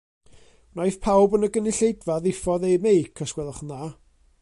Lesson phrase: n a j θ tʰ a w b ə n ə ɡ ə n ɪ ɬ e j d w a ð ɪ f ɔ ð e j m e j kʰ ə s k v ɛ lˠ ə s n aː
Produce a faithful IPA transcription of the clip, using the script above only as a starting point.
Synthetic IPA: n a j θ pʰ a w b ə n ə ɡ ə n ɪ ɬ e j d v a ð ɪ f ɔ ð e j m e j kʰ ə s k w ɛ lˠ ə χ n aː